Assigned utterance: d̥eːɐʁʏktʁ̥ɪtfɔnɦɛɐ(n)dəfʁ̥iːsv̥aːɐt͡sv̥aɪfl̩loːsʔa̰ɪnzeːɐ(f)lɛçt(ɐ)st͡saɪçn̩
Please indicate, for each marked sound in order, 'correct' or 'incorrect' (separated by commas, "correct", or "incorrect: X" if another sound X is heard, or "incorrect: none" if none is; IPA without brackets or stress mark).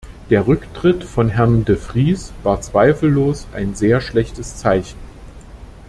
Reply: correct, incorrect: ʃ, incorrect: ə